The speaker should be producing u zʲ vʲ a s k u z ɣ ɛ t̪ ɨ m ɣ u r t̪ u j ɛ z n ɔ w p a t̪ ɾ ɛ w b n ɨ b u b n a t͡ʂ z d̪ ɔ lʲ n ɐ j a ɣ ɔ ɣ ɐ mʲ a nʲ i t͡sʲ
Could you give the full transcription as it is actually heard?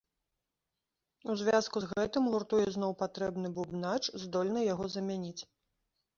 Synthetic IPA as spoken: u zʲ vʲ a s k u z ɣ ɛ t̪ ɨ m ɣ u r t̪ u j ɛ z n ɔ w p a t̪ ɾ ɛ b n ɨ b u b n a t͡ʂ z d̪ ɔ lʲ n ɐ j a ɣ ɔ z ɐ mʲ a nʲ i t͡sʲ